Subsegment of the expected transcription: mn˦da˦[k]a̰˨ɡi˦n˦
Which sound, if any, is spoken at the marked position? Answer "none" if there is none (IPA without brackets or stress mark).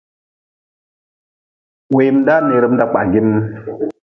k͡p